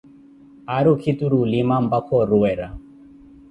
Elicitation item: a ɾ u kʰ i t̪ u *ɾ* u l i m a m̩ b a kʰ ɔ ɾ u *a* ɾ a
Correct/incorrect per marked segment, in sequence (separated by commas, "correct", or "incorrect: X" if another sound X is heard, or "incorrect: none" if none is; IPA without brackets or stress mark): correct, incorrect: ɛ